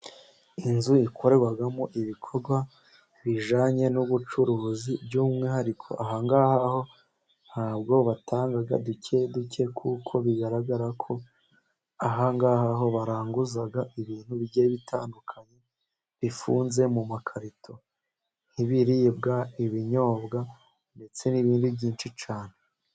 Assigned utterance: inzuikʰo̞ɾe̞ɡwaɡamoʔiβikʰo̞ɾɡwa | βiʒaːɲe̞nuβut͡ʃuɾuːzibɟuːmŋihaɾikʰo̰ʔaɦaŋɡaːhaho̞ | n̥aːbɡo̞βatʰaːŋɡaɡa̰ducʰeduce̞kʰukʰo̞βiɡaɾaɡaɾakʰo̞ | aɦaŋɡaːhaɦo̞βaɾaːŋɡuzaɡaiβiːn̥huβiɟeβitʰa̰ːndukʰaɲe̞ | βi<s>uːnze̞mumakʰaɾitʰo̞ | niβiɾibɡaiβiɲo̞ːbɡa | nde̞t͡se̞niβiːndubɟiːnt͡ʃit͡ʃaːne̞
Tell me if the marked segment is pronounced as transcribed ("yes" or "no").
no